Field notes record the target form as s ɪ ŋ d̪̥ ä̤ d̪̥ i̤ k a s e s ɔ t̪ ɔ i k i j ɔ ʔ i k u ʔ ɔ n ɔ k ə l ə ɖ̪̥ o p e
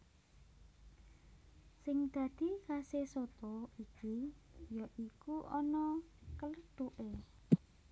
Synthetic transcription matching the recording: s ɪ ŋ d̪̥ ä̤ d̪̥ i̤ k a s e s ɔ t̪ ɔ i k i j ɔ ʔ i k u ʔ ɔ n ɔ k ə l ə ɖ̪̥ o ʔ e